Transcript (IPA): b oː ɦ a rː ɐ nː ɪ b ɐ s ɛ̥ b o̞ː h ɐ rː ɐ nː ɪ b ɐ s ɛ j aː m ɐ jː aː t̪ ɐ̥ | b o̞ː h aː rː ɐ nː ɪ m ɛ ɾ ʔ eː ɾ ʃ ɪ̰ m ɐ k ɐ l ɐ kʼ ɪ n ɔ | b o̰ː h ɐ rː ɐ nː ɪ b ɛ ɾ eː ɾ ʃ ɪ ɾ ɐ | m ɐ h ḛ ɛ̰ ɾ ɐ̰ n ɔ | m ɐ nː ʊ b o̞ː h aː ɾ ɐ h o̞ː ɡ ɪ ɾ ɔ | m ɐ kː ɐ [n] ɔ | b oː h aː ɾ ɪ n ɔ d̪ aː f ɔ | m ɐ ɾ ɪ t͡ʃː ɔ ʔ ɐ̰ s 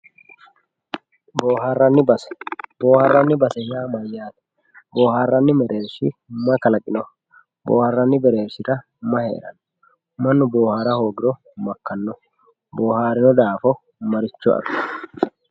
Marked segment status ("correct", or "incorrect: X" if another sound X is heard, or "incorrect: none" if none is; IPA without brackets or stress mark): incorrect: nː